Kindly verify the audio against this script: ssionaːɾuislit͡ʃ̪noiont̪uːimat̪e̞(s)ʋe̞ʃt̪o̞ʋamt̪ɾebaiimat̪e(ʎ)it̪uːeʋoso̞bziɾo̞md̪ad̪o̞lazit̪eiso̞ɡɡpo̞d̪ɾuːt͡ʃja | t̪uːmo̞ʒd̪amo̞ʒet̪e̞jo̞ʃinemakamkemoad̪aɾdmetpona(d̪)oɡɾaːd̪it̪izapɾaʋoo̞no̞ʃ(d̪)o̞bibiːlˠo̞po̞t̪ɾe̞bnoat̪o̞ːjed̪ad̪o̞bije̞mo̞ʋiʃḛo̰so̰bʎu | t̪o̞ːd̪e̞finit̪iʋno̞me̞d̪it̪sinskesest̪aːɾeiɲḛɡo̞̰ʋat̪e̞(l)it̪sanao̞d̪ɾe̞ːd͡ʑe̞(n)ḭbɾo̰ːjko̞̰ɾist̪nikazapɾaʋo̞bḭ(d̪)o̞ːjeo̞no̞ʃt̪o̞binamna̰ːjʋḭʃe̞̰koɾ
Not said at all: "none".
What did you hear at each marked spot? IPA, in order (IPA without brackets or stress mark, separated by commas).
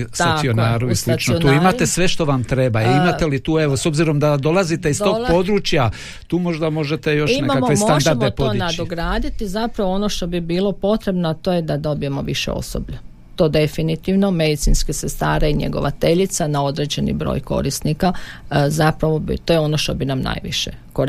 s, l, d̪, t̪, ʎ, n, t̪